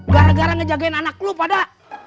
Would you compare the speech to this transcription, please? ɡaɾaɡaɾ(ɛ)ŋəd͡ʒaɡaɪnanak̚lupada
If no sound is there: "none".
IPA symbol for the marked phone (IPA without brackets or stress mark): a